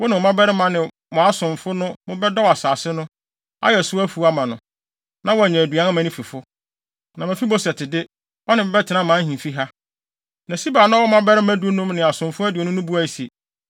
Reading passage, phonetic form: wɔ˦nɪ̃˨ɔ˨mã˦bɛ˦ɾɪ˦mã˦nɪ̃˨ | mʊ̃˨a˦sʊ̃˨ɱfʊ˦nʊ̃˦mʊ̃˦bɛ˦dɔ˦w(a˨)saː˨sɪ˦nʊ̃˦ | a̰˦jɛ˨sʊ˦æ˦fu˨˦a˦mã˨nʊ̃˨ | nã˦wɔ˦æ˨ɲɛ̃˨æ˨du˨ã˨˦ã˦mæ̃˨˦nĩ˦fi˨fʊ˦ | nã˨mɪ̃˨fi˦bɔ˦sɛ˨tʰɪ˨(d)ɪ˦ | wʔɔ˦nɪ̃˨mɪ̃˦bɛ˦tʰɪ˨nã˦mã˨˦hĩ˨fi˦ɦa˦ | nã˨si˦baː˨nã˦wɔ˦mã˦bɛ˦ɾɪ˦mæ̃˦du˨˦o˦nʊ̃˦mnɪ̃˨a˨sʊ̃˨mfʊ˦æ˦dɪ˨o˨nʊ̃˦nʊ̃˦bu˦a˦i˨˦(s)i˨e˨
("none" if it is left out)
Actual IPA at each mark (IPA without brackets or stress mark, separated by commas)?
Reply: a˨, d, s